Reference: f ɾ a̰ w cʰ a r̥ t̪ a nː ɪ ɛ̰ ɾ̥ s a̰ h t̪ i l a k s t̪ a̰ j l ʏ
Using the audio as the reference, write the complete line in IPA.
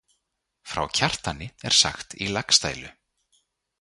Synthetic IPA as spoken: f ɾ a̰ w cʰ a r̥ t̪ a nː ɪ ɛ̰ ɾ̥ s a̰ x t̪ i l a k s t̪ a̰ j l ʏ